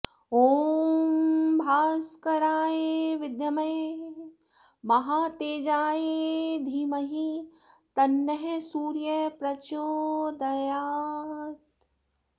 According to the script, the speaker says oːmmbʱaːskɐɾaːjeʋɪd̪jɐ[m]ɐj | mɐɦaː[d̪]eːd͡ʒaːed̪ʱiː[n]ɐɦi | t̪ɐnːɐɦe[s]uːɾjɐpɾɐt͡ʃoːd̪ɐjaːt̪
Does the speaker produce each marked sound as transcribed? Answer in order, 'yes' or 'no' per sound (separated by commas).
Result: yes, no, no, yes